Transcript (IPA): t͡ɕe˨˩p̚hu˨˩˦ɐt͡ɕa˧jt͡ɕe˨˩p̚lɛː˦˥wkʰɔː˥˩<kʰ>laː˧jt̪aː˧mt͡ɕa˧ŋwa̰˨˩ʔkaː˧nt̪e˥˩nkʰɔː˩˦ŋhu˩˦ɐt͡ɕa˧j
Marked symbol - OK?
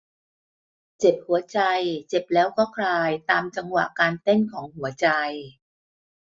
yes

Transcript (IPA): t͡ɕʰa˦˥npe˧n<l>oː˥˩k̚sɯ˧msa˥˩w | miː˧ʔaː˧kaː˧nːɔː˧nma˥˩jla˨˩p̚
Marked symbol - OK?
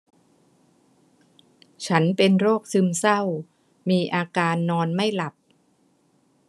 no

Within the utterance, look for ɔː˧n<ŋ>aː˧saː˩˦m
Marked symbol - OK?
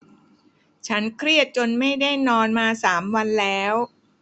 no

